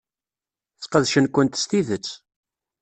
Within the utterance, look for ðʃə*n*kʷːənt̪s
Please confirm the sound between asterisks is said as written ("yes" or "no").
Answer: yes